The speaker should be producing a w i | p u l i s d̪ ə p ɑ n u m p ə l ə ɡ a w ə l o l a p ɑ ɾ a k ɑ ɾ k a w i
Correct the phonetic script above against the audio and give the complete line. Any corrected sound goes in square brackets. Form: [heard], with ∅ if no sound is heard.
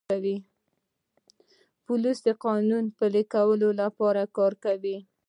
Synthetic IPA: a w i | p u l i s d̪ ə [q] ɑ n u [n] p ə l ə [k] a w ə l o l a p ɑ ɾ a k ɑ ɾ k a w i